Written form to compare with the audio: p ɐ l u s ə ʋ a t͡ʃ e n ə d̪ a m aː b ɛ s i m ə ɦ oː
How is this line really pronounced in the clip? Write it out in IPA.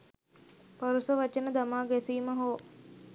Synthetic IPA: p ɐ ɾ u s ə ʋ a t͡ʃ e n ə d̪ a m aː ɡ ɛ s iː m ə ɦ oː